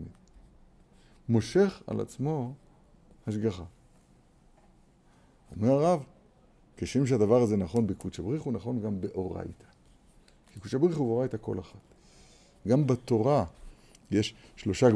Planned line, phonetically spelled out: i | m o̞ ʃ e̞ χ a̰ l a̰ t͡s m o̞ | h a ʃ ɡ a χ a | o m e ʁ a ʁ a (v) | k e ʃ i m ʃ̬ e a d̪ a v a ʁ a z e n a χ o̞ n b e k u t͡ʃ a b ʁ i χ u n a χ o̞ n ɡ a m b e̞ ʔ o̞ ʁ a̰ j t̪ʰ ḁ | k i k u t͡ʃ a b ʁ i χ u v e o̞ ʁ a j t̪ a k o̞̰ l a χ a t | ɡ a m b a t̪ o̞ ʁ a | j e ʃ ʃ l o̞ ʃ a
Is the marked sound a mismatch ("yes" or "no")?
no